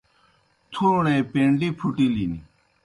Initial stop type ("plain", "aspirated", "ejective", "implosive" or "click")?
aspirated